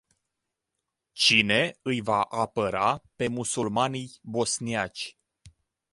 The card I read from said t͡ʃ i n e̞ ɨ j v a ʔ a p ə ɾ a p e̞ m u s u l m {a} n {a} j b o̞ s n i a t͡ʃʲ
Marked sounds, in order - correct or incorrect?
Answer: correct, incorrect: i

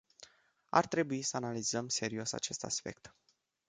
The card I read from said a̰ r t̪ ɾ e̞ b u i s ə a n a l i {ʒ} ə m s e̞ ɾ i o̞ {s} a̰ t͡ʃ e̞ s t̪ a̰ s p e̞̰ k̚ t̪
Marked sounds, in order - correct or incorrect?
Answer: incorrect: z, correct

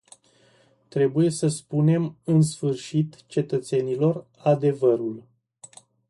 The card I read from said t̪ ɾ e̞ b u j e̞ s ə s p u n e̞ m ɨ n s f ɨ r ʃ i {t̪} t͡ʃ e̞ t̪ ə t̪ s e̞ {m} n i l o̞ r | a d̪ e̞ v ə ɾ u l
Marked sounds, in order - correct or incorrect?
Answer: correct, incorrect: none

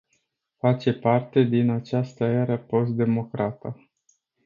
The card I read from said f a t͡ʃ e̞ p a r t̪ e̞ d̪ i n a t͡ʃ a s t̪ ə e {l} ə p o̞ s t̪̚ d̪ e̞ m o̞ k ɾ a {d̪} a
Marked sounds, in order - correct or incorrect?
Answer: incorrect: ɾ, incorrect: t̪

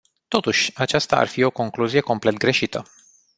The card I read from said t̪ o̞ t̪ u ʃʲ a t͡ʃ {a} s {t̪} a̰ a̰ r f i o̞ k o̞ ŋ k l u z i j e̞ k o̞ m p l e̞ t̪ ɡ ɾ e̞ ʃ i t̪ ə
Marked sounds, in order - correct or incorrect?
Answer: correct, correct

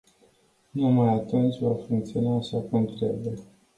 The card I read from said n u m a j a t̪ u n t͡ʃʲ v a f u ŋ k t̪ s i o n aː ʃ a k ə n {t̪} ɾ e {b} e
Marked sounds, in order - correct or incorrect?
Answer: correct, correct

